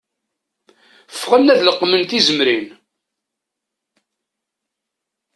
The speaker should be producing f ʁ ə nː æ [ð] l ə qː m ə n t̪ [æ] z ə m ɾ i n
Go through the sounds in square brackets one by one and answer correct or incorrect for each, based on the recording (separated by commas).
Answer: correct, incorrect